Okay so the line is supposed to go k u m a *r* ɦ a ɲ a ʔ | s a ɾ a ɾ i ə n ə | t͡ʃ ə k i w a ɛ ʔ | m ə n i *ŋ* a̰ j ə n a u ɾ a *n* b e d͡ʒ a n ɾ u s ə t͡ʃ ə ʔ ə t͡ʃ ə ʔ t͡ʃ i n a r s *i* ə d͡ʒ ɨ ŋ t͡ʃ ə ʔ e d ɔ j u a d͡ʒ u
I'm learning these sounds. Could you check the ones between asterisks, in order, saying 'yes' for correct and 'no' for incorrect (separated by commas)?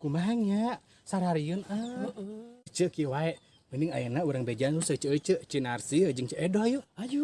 no, yes, no, yes